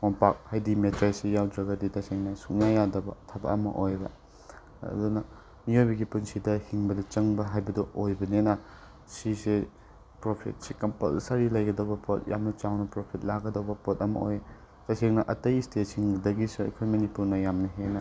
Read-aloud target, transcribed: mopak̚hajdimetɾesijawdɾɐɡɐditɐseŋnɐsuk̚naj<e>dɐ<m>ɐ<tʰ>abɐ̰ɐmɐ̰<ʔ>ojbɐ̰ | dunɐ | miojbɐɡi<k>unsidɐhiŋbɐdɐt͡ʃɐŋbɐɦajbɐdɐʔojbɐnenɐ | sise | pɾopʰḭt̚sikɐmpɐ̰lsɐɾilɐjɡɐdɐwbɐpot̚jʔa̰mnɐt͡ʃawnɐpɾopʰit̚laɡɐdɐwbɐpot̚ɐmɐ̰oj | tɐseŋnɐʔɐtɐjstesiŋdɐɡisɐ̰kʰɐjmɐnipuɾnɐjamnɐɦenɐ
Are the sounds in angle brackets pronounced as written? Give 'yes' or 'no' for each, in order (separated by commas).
no, no, yes, yes, no